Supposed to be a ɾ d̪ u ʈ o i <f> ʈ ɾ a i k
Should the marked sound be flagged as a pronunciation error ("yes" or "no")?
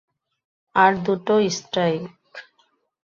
yes